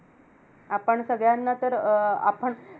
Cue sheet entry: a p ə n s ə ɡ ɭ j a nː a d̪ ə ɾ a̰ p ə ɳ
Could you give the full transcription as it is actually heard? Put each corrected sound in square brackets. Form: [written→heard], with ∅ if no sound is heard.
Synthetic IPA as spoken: a p ə [n→ɳ] s ə ɡ ɭ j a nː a [d̪→t̪] ə ɾ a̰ p ə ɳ